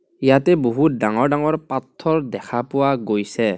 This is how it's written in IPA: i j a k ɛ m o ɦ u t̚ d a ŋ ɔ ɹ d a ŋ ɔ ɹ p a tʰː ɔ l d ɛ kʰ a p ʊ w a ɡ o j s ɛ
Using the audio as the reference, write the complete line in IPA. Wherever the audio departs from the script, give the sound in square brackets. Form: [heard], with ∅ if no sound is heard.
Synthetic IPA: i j a [t] ɛ [b] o ɦ u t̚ d a ŋ ɔ ɹ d a ŋ ɔ ɹ p a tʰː ɔ [ɹ] d ɛ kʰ a p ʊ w a ɡ o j s ɛ